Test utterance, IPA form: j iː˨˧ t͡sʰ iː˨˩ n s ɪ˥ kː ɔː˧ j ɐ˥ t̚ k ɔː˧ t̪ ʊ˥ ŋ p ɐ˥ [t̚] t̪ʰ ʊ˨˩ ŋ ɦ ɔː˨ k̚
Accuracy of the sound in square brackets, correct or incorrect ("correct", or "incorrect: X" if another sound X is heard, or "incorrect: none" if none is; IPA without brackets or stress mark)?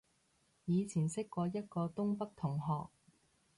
incorrect: k̚